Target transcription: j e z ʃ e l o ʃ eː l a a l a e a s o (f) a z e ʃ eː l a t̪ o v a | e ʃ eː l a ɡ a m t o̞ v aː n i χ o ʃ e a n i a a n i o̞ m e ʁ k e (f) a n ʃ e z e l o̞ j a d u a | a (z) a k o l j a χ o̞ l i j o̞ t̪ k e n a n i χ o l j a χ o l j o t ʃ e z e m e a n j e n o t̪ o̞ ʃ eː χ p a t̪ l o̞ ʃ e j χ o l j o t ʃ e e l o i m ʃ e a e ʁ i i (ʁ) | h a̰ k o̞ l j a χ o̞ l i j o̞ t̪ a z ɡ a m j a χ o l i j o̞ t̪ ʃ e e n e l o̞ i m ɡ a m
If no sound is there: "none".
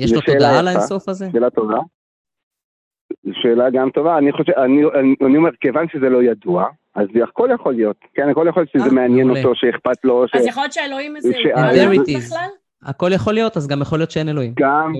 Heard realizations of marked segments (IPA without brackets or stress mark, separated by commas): f, v, z, z